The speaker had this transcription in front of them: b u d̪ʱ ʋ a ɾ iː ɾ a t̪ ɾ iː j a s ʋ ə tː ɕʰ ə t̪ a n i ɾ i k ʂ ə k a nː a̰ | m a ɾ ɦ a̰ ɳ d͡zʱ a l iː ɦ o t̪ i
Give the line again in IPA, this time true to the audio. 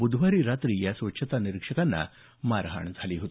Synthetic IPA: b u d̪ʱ ʋ a ɾ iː ɾ a t̪ ɾ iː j a s ʋ ə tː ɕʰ ə t̪ a n i ɾ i k ʂ ə k a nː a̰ | m a ɾ ɦ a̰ ɳ d͡zʱ a l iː ɦ o t̪ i